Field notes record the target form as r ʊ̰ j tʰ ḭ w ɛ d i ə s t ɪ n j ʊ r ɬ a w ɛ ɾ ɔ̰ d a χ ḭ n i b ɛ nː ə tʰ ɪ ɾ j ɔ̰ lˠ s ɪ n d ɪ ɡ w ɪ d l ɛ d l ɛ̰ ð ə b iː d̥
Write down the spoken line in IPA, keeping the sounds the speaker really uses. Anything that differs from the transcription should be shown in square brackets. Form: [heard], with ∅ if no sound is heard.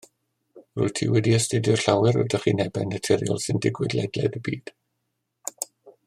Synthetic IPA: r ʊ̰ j tʰ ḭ w ɛ d i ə s t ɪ [d] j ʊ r ɬ a w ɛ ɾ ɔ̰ d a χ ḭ n [ɛ] b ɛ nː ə tʰ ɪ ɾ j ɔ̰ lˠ s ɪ n d ɪ ɡ w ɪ d l ɛ d l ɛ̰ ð ə b iː d̥